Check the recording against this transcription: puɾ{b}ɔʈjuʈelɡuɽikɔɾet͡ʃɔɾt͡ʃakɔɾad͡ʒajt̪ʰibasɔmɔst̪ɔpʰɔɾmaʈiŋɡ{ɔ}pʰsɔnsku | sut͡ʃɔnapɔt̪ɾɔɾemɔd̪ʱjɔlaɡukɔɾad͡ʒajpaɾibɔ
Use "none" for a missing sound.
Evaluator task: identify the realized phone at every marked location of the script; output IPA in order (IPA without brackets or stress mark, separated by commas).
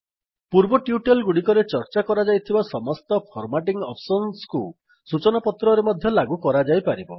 b, ɔ